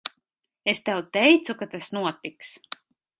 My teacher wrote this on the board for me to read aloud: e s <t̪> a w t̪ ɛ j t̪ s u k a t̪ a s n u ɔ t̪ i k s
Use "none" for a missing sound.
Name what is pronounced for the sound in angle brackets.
t̪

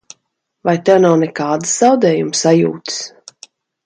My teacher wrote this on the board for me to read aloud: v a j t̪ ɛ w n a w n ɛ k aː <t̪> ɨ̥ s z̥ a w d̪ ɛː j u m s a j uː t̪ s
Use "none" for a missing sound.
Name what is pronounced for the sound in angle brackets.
d̪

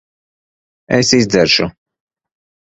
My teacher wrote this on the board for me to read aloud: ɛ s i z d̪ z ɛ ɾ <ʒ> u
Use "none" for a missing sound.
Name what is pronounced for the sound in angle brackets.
ʃ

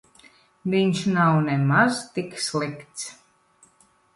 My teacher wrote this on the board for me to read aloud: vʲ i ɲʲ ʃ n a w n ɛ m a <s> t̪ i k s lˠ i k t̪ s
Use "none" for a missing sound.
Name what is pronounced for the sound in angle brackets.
z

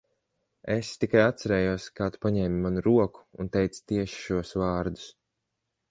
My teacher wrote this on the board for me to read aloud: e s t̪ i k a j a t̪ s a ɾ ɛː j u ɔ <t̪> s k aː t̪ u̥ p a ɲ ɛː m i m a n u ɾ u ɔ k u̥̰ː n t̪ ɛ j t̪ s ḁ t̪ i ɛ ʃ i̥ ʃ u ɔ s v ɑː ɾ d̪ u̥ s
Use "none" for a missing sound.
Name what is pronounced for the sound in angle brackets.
none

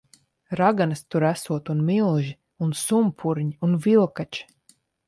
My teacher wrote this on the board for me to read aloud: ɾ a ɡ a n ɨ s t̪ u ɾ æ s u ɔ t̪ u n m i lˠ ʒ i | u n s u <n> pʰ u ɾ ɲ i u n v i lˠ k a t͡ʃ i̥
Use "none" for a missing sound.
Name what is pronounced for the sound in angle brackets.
m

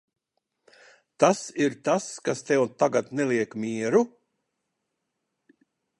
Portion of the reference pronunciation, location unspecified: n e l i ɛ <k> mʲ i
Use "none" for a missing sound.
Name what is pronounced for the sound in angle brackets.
k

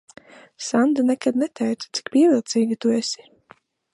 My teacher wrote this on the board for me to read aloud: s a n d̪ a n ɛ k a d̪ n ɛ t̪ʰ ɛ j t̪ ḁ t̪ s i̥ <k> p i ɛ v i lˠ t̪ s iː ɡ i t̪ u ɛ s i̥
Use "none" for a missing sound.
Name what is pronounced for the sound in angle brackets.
k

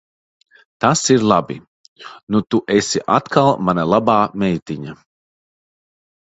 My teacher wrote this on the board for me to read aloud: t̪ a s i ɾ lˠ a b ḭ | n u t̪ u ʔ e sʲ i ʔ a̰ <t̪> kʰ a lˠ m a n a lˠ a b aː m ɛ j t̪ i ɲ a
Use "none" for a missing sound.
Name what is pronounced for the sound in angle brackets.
t̪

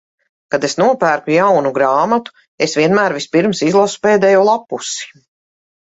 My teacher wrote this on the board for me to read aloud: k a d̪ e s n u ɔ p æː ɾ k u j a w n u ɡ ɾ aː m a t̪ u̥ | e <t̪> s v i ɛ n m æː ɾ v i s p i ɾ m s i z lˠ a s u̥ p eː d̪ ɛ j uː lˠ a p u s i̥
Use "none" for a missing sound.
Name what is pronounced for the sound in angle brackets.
none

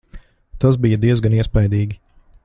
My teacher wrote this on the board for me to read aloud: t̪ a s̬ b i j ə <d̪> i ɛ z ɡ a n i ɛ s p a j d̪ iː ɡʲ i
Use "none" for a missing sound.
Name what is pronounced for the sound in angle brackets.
d̪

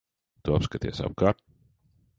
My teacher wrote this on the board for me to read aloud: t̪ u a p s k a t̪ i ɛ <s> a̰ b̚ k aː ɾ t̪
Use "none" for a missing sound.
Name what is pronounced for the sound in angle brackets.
s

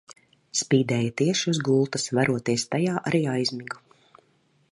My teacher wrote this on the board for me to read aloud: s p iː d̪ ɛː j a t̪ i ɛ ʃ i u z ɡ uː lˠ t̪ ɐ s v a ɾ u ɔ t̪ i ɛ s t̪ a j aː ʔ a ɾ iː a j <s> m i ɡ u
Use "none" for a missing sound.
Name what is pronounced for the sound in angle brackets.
z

